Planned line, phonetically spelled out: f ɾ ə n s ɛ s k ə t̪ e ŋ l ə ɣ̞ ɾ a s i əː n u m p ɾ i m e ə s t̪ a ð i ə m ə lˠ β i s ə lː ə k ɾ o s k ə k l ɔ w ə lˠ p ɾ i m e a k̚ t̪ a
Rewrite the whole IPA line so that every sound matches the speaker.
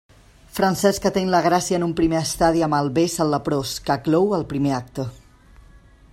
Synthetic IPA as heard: f ɾ ə n s ɛ s k ə t̪ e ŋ l ə ɣ̞ ɾ a s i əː n u m p ɾ i m e ə s t̪ a ð i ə m ə lˠ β e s ə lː ə p ɾ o s k ə k l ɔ w ə lˠ p ɾ i m e a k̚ t̪ ə